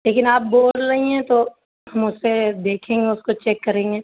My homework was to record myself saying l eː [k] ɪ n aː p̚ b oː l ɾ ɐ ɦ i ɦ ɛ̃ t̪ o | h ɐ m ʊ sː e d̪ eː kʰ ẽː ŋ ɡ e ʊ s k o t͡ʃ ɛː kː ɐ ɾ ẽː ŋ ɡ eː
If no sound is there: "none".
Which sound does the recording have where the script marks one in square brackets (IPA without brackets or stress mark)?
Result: k